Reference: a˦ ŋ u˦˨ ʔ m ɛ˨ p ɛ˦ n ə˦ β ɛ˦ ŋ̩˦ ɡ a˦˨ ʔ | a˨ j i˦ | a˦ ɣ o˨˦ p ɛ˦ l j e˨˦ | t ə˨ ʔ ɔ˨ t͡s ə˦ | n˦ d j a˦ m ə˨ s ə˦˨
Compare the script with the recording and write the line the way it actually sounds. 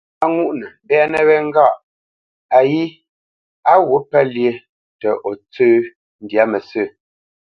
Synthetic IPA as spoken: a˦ ŋ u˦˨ ʔ n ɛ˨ b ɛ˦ n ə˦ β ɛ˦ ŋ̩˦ ɡ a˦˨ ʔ | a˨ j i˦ | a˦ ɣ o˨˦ p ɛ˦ l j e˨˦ | t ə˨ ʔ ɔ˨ t͡s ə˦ | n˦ d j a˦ m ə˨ s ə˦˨